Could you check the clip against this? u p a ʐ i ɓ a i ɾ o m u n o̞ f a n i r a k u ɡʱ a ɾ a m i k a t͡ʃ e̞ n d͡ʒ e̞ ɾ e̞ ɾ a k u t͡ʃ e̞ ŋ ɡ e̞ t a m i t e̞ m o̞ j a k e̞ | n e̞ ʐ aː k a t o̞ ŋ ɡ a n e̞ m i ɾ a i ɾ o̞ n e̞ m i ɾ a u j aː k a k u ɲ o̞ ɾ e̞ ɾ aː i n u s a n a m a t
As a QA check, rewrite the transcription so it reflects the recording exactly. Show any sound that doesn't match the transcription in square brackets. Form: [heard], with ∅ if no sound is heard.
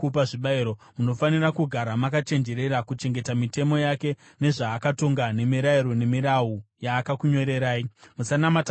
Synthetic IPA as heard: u p a ʐ i ɓ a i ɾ o m u n o̞ f a n i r a k u ɡʱ a ɾ a m [a] k a t͡ʃ e̞ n d͡ʒ e̞ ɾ e̞ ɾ a k u t͡ʃ e̞ ŋ ɡ e̞ t a m i t e̞ m o̞ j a k e̞ | n e̞ ʐ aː k a t o̞ ŋ ɡ a n e̞ m i ɾ a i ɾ o̞ n e̞ m i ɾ a u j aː k a k u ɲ o̞ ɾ e̞ ɾ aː i [m] u s a n a m a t